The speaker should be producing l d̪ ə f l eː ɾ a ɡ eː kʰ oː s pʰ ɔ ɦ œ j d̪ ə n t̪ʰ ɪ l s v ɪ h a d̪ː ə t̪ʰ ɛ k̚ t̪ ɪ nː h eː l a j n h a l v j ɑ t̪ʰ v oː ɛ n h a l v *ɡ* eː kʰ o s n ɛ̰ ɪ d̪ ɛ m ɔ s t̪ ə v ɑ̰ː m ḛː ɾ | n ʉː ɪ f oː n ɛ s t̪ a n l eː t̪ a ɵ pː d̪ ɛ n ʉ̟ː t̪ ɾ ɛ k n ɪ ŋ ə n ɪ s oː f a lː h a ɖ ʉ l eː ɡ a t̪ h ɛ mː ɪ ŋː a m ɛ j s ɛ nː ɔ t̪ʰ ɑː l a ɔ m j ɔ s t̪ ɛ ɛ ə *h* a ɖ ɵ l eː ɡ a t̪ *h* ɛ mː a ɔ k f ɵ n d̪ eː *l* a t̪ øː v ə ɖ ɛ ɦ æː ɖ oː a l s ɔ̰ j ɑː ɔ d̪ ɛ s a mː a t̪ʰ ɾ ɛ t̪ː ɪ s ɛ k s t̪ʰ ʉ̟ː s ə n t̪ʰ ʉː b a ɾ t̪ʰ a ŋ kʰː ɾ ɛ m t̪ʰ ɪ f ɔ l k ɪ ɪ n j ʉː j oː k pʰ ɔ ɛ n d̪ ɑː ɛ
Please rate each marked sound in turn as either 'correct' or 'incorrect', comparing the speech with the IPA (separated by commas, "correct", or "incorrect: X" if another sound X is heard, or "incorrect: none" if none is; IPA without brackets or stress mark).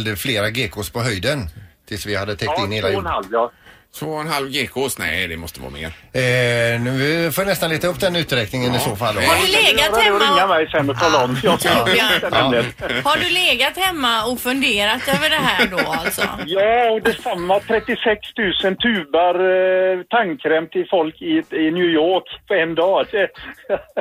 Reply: correct, correct, correct, incorrect: ɾ